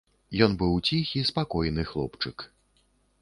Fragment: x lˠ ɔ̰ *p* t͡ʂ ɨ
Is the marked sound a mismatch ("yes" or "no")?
no